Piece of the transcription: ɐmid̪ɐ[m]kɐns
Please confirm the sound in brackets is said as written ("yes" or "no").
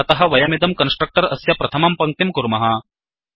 yes